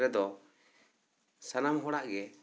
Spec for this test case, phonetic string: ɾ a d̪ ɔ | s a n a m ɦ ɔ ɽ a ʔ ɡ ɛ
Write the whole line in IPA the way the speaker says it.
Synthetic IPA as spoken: ɾ ɛ d̪ ɔ | s a n a m ɦ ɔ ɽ a ʔ ɡ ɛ

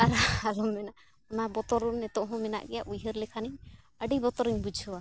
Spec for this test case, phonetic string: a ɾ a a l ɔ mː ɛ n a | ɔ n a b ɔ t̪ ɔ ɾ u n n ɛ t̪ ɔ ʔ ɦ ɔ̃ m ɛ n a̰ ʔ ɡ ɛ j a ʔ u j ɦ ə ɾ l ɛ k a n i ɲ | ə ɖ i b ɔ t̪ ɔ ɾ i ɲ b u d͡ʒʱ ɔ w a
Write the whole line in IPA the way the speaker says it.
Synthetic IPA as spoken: a ɾ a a l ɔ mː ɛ n a | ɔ n a b ɔ t̪ ɔ ɾ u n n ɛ t̪ ɔ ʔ ɦ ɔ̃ m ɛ n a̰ ʔ ɡ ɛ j a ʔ u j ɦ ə ɾ l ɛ kʰ a n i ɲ | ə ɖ i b ɔ t̪ ɔ ɾ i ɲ b u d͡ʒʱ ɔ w a

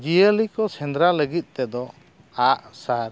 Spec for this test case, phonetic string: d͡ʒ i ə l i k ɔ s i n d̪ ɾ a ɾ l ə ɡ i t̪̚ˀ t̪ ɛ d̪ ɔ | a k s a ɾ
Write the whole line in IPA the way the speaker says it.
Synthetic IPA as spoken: d͡ʒ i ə l i k ɔ s ɛ n d̪ ɾ a l ə ɡ i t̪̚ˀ t̪ ɛ d̪ ɔ | a ʔ s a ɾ

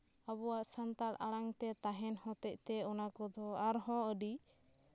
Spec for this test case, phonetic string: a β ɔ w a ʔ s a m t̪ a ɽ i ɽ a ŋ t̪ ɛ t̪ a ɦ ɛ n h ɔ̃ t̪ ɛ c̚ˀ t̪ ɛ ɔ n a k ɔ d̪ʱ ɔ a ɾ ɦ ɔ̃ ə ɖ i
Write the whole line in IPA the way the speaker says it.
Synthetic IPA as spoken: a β ɔ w a ʔ s a n t̪ a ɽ a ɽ a ŋ t̪ ɛ t̪ a ɦ ɛ n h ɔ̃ t̪ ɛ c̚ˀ t̪ ɛ ɔ n a k ɔ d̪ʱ ɔ a ɾ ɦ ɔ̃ ə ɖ i

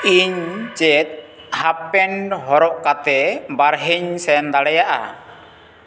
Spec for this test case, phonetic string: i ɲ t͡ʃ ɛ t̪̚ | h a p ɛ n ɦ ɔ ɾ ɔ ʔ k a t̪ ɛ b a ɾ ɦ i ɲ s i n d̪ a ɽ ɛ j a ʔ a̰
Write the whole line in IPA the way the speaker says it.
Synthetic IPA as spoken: i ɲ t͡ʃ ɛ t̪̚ | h a p ɛ n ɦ ɔ ɾ ɔ ʔ k a t̪ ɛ b a ɾ ɦ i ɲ s ɛ n d̪ a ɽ ɛ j a ʔ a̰

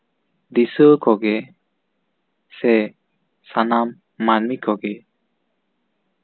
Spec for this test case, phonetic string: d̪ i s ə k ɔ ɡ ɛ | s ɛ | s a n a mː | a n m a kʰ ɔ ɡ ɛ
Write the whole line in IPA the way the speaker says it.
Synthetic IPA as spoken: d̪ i s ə k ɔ ɡ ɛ | s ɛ | s a n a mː | a n m i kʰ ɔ ɡ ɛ

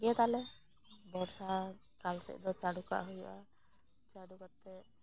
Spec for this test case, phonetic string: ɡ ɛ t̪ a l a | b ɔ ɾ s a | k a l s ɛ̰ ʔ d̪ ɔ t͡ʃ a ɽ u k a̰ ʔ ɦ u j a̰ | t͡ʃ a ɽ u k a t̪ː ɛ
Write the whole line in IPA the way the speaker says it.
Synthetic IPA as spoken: ɡ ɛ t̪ a l ɛ | b ɔ ɾ s a | k a l s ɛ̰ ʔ d̪ ɔ t͡ʃ a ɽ u k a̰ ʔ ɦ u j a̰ | t͡ʃ a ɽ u k a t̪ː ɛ

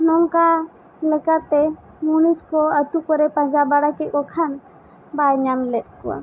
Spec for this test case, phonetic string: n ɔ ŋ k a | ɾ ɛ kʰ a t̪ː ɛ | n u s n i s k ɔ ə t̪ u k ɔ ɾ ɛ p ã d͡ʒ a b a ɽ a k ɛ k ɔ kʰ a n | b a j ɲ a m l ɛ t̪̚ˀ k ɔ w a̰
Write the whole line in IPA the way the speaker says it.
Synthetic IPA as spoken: n ɔ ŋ k a | l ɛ k a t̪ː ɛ | m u n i s k ɔ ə t̪ u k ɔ ɾ ɛ p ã d͡ʒ a b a ɽ a k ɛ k ɔ kʰ a n | b a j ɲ a m l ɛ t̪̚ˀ k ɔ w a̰

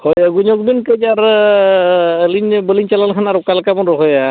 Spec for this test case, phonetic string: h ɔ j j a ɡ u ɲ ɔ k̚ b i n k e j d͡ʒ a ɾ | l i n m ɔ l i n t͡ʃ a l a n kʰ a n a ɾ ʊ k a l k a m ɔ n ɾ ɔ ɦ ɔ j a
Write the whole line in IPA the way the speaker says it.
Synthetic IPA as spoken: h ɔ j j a ɡ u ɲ ɔ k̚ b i n k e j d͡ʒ a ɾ | l i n b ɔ l i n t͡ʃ a l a n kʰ a n a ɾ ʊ k a l k a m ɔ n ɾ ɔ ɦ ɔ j a

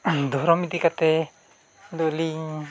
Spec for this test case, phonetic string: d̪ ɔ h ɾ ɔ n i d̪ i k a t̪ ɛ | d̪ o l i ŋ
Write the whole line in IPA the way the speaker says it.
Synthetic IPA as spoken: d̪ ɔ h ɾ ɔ m i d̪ i k a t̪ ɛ | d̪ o l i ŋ

